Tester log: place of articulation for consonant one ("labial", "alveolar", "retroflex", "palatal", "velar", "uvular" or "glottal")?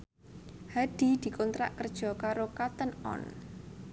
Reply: glottal